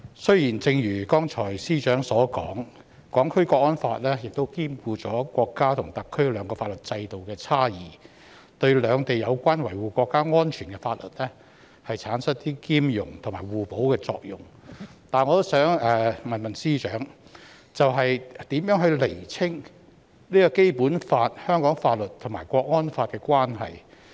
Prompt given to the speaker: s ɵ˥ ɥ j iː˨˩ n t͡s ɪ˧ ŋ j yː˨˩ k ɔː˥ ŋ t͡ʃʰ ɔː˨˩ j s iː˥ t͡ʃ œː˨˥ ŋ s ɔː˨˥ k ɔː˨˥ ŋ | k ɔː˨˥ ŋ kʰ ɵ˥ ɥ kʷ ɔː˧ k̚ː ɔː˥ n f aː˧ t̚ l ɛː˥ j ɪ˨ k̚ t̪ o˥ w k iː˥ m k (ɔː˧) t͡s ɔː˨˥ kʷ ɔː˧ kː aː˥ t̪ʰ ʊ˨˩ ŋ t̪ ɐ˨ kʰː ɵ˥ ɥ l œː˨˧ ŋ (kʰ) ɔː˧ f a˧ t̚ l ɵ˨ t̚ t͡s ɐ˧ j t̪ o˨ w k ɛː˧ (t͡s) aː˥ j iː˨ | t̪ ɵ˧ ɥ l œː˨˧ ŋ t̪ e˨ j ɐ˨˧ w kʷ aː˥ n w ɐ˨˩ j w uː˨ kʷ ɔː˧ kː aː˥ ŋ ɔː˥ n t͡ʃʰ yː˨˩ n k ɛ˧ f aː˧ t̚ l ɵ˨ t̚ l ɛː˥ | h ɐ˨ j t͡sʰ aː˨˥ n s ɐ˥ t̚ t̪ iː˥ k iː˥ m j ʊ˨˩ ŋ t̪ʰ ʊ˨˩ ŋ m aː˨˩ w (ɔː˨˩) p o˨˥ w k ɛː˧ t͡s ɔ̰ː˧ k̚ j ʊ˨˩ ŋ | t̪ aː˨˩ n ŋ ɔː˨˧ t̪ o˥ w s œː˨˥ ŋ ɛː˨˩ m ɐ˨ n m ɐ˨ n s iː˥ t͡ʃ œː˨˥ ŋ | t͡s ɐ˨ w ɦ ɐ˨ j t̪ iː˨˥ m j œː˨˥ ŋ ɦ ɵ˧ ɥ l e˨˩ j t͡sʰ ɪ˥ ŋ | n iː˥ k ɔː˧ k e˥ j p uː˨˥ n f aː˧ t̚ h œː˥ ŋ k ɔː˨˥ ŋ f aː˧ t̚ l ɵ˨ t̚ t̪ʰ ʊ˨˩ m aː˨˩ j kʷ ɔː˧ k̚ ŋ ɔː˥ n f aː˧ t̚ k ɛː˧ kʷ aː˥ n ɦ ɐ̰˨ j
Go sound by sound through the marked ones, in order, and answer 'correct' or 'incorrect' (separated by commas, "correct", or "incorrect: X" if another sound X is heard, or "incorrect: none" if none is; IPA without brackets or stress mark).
incorrect: uː˧, incorrect: k, incorrect: t͡sʰ, incorrect: uː˨˩